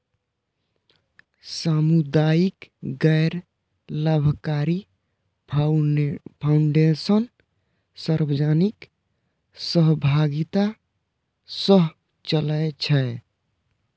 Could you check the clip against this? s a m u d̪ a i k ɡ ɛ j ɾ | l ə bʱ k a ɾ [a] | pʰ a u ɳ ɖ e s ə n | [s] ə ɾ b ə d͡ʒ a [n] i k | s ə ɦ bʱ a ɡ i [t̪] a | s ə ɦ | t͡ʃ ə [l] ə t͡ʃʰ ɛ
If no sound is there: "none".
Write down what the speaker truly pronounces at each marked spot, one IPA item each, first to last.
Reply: i, s, n, t̪, l

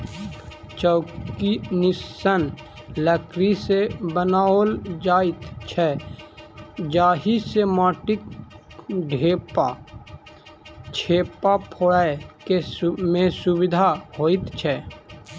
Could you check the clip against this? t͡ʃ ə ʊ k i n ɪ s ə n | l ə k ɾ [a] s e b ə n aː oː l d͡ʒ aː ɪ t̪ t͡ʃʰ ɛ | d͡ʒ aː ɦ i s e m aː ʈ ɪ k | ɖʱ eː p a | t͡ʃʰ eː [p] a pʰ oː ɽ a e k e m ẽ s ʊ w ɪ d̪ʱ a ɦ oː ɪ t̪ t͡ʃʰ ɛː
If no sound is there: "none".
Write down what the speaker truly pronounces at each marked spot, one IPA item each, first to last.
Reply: i, p

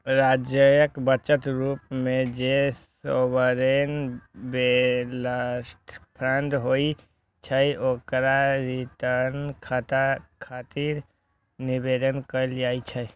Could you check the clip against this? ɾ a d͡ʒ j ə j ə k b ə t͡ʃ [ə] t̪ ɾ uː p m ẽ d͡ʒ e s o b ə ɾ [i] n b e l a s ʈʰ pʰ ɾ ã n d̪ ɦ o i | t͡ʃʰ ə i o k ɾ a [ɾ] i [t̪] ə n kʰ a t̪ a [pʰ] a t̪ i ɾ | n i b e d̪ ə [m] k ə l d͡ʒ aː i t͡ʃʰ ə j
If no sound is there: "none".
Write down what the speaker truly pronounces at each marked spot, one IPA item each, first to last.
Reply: ə, e, ɾ, t̪, kʰ, n

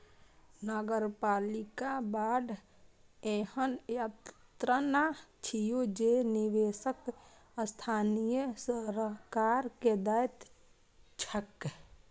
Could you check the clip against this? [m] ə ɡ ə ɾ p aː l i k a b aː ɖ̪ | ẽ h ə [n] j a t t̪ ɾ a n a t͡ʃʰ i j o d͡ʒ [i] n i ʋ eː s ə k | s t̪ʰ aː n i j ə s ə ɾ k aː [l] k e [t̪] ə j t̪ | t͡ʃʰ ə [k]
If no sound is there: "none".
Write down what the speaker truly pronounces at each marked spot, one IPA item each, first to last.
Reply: n, n, e, ɾ, d̪, k

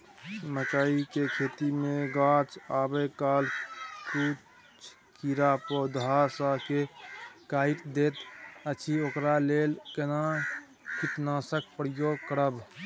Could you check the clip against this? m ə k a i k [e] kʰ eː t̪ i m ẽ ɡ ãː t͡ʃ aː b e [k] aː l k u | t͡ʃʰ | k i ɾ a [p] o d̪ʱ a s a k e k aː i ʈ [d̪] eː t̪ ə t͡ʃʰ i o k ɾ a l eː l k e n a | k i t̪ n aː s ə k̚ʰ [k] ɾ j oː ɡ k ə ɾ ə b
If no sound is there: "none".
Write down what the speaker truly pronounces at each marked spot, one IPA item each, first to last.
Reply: e, k, p, d̪, p

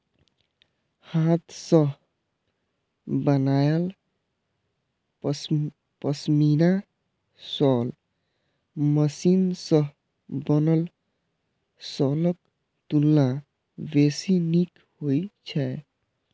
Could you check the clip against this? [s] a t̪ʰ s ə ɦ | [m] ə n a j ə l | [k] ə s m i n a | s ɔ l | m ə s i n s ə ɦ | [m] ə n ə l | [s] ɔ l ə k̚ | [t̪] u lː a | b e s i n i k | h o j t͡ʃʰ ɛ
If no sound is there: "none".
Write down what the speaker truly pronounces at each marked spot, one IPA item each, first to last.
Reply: h, b, p, b, s, t̪

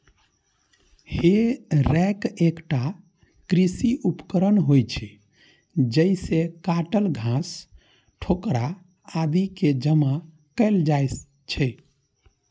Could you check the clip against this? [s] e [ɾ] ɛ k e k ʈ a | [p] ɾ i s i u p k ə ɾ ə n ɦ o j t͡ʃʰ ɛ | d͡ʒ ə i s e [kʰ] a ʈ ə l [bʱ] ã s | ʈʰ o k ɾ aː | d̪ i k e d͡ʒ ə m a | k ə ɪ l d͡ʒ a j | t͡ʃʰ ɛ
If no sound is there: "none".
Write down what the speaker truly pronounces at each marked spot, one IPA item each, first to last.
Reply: h, ɾ, k, k, ɡʱ

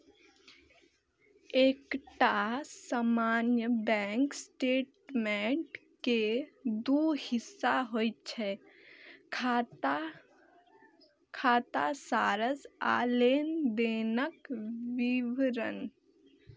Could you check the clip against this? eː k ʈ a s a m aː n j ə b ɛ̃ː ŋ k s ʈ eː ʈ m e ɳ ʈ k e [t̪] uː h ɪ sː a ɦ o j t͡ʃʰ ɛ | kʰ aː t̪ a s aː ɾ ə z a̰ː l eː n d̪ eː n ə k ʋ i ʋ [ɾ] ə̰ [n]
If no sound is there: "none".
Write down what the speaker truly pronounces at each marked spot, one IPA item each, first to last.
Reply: d̪, ɾ, n

